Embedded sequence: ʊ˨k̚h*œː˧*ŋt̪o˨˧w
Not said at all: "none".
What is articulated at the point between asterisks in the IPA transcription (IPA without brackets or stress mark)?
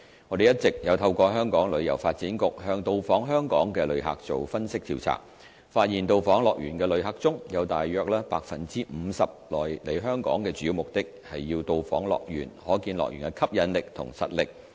œː˧